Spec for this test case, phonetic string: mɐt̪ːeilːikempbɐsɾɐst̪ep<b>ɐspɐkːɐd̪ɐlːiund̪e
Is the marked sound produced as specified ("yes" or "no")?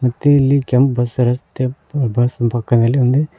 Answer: yes